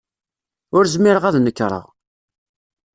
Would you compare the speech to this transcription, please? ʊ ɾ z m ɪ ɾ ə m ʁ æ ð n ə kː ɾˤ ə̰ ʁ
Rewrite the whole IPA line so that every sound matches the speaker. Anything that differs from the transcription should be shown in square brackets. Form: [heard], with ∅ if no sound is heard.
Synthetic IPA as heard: ʊ ɾ z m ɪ ɾ ə [∅] ʁ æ ð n ə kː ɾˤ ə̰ ʁ